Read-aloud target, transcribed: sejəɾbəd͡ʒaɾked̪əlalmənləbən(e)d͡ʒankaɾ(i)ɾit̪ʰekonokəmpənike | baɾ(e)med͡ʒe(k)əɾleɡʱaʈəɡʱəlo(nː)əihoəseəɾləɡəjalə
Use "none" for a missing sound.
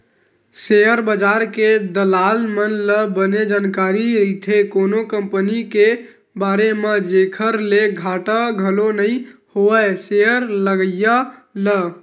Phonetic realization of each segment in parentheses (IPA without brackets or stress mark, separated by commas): e, i, e, kʰ, n